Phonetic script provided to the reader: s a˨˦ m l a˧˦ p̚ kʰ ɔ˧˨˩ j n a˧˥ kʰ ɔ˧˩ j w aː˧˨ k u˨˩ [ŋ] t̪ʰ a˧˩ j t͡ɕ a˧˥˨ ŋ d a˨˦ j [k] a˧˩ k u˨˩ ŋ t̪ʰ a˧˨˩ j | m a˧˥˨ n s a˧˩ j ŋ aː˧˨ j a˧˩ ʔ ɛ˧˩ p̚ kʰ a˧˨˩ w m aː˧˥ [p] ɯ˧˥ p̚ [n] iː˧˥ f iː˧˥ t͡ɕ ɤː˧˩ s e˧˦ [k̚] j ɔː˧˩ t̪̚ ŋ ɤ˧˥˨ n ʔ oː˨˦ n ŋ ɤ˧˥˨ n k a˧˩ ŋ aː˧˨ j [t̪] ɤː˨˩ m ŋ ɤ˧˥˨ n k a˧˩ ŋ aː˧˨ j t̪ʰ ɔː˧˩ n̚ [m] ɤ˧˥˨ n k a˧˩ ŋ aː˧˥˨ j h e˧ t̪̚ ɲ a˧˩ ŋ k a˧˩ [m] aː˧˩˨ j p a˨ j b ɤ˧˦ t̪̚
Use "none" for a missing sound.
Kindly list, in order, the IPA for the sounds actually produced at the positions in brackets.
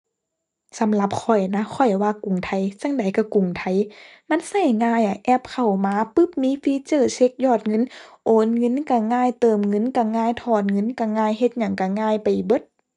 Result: ŋ, k, p, m, k̚, t̪, ŋ, ŋ

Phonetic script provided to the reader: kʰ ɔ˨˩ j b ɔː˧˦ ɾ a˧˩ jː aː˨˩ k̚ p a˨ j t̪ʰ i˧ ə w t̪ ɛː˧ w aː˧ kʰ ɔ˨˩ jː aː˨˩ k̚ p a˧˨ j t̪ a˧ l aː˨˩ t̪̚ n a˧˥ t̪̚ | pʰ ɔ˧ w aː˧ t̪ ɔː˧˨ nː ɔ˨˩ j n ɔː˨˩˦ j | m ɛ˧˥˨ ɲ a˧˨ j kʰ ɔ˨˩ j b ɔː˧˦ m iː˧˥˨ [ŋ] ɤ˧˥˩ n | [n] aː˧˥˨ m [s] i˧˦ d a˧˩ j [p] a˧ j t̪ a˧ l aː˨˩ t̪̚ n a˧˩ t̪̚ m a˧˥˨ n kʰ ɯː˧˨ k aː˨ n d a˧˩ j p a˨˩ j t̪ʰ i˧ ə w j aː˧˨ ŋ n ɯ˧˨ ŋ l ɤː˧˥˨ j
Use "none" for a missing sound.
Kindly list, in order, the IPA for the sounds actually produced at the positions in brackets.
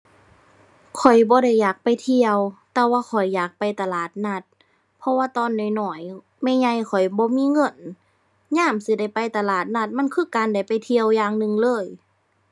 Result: ŋ, ɲ, s, p

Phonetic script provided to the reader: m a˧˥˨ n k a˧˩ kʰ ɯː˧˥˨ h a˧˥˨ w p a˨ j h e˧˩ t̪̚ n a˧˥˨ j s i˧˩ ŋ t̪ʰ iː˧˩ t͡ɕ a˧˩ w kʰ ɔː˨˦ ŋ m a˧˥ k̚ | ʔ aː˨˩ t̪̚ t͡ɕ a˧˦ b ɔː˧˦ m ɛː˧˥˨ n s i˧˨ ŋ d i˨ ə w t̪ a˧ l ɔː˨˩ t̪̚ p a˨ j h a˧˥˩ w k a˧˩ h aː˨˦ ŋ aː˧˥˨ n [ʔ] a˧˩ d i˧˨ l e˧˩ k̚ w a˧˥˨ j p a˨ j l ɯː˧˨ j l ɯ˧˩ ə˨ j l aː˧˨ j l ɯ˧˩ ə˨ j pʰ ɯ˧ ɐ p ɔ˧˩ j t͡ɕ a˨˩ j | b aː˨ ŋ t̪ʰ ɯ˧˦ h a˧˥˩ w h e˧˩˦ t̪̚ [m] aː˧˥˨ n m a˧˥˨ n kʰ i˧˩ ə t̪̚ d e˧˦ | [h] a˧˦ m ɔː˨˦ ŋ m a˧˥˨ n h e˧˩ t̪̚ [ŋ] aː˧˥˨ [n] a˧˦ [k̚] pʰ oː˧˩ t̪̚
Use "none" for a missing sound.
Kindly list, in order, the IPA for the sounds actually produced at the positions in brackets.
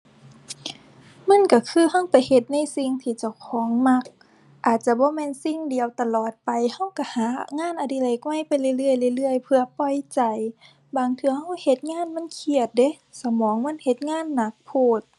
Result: ʔ, ŋ, s, ŋ, nː, k̚

